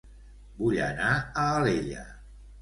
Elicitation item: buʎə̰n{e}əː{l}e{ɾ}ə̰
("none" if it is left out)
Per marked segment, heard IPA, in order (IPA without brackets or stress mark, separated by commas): a, l, ʎ